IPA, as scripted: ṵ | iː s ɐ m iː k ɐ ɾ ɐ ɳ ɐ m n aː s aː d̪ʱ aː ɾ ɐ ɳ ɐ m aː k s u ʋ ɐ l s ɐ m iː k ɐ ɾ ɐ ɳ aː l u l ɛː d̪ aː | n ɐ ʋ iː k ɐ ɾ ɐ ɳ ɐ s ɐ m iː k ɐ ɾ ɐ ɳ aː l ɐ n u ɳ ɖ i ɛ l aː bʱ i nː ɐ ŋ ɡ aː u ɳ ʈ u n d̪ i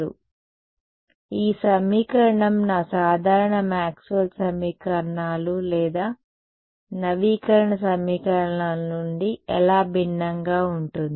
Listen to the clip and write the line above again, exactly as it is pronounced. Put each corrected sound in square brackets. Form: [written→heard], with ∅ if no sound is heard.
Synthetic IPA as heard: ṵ | iː s ɐ m iː k ɐ ɾ ɐ ɳ ɐ m n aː s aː d̪ʱ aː ɾ ɐ ɳ ɐ m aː k s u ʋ ɐ l s ɐ m iː k ɐ ɾ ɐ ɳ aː l u l ɛː d̪ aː | n ɐ ʋ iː k ɐ ɾ ɐ ɳ ɐ s ɐ m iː k ɐ ɾ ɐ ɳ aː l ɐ n u ɳ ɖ i ɛ l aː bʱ i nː ɐ ŋ ɡ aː u ɳ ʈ u n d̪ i

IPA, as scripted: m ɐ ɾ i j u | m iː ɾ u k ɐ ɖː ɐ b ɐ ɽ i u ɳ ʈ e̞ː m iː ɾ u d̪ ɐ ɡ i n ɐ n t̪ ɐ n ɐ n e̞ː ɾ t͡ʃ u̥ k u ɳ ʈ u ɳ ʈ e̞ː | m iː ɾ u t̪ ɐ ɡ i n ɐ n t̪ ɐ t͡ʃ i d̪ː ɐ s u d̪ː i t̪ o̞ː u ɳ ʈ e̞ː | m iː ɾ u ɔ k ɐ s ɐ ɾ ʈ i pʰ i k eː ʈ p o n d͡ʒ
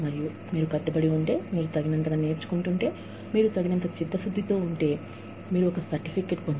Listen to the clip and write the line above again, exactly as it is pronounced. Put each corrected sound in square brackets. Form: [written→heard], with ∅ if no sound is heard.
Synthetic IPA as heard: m ɐ ɾ i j u | m iː ɾ u k ɐ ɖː ɐ b ɐ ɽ i u ɳ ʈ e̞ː m iː ɾ u [d̪→t̪] ɐ ɡ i n ɐ n t̪ ɐ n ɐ n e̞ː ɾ t͡ʃ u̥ k u ɳ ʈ u ɳ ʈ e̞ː | m iː ɾ u t̪ ɐ ɡ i n ɐ n t̪ ɐ t͡ʃ i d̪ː ɐ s u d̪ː i t̪ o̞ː u ɳ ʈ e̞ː | m iː ɾ u ɔ k ɐ s ɐ ɾ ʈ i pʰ i k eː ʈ p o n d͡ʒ

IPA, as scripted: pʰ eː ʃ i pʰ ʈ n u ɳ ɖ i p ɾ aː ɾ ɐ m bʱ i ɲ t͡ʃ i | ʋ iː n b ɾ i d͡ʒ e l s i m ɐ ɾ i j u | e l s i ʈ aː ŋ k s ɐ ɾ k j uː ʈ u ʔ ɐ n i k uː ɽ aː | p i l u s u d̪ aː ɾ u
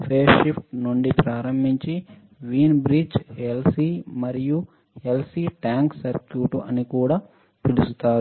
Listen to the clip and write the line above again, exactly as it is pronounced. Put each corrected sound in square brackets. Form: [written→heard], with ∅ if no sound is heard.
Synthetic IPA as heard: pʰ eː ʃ i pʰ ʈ n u ɳ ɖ i p ɾ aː ɾ ɐ m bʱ i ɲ t͡ʃ i | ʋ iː n b ɾ i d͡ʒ e l s i m ɐ ɾ i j u | e l s i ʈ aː ŋ k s ɐ ɾ k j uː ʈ u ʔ ɐ n i k uː ɽ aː | p i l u s u [d̪→t̪] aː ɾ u

